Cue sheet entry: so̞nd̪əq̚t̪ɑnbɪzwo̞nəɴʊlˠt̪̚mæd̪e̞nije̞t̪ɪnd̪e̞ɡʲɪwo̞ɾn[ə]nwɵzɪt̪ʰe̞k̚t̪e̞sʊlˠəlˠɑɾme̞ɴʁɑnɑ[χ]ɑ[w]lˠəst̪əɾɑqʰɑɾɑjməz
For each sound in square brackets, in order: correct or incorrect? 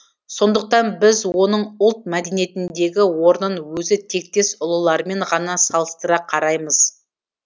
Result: correct, incorrect, incorrect

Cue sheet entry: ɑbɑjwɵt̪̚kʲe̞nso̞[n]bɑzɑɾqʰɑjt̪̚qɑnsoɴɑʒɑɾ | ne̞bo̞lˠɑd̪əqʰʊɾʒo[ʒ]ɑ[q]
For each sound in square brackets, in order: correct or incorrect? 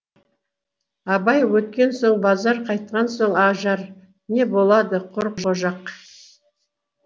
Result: incorrect, correct, correct

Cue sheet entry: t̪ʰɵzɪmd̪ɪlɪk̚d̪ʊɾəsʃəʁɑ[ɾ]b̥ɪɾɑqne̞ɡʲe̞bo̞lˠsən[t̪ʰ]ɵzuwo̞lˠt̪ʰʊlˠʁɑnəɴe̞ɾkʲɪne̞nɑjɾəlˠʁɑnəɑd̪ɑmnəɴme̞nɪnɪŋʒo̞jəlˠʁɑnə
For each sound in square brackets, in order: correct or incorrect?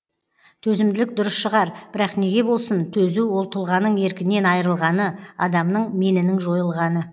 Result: correct, correct

